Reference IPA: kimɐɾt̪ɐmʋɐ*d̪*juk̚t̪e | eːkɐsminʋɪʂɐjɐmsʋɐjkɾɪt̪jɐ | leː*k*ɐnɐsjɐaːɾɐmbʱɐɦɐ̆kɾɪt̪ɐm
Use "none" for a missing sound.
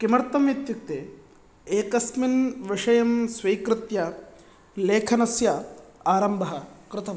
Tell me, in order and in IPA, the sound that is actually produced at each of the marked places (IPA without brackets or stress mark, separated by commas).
t̪, kʰ